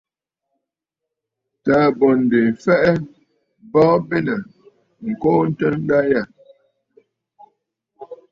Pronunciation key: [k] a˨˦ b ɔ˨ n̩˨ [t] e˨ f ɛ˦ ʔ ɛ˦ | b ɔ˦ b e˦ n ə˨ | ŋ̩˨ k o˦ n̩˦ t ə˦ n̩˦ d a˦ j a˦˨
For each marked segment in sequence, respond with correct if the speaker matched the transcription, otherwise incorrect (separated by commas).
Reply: incorrect, incorrect